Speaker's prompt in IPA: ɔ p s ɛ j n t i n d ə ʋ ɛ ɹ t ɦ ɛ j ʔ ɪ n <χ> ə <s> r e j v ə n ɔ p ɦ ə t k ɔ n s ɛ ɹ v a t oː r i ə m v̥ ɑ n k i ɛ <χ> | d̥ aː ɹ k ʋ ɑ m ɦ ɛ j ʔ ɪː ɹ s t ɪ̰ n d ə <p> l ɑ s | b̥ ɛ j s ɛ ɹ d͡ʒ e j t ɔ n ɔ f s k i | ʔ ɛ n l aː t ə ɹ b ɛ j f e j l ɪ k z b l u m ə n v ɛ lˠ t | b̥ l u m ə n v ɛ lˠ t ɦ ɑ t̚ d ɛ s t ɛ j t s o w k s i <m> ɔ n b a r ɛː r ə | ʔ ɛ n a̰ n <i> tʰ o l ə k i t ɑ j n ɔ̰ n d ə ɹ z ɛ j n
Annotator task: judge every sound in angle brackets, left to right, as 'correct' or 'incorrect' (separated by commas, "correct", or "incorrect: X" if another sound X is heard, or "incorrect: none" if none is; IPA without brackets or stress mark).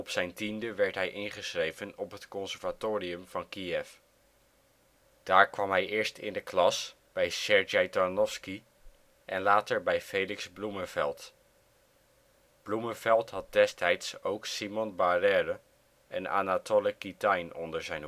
correct, correct, incorrect: f, incorrect: k, correct, incorrect: a